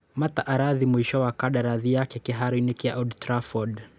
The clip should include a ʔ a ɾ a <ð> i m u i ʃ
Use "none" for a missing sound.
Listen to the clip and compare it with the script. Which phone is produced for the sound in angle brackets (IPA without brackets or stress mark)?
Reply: ð